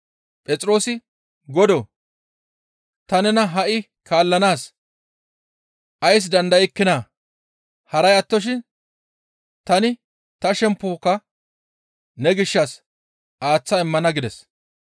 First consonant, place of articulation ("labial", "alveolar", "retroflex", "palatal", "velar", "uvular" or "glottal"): labial